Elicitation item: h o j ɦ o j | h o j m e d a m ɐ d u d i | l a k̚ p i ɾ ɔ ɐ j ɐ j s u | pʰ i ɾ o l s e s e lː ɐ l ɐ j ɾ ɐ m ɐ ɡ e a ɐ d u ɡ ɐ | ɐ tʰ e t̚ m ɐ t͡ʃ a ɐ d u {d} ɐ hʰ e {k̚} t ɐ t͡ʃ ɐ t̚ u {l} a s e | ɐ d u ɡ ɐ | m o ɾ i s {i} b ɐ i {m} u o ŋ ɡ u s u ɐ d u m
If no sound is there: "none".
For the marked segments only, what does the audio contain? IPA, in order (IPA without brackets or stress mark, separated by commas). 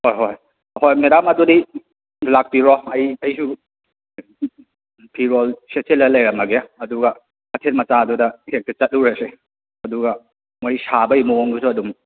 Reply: d, k̚, ɾ, a, m